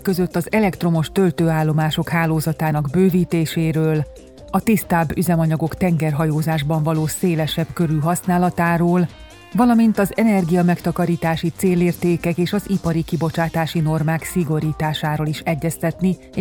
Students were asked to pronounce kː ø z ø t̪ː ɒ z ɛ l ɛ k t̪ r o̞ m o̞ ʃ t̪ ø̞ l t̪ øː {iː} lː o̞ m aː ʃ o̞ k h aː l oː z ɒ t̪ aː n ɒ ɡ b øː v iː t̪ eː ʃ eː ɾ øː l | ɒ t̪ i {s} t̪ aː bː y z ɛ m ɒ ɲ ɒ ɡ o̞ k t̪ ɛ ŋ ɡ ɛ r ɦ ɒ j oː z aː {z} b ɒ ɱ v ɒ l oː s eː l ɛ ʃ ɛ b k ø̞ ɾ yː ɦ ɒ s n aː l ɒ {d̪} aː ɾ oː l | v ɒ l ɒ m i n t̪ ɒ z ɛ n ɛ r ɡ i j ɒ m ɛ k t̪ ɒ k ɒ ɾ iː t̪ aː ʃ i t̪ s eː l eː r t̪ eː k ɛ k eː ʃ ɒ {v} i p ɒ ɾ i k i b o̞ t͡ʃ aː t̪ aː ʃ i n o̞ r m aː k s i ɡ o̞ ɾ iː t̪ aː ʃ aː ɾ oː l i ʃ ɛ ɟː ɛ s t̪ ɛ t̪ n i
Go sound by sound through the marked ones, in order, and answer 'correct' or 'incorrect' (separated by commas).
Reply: incorrect, correct, incorrect, incorrect, incorrect